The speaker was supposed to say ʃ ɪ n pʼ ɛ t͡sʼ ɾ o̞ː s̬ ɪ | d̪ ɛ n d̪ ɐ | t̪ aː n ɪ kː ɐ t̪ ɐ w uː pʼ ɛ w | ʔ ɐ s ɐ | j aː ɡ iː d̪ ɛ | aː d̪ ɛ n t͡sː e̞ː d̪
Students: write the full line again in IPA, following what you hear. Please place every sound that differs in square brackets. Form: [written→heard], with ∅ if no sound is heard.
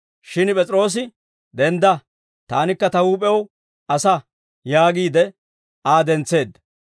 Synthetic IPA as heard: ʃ ɪ n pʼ ɛ t͡sʼ ɾ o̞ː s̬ ɪ | d̪ ɛ n d̪ ɐ | t̪ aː n ɪ kː ɐ t̪ ɐ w uː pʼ ɛ w | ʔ ɐ s ɐ | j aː ɡ iː d̪ ɛ | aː d̪ ɛ n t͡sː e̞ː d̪